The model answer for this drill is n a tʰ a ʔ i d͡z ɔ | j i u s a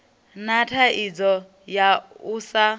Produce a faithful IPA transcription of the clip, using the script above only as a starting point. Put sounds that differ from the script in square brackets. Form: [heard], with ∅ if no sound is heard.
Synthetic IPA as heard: n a tʰ a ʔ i d͡z ɔ | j [a] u s a